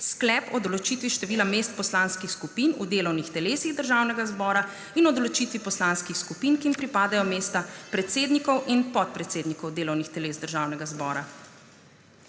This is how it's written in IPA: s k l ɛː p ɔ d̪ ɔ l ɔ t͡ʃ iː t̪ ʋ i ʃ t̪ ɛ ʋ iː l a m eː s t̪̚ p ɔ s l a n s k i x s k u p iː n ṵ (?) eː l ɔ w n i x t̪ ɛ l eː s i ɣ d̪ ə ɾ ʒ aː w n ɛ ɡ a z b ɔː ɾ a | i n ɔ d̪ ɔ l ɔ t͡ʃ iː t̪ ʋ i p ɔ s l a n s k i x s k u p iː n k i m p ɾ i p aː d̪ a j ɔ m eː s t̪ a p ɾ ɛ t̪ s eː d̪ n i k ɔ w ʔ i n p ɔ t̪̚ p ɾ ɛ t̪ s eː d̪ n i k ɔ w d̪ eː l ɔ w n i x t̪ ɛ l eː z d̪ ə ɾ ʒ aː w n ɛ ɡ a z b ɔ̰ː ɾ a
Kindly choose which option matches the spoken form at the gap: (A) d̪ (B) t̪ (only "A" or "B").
A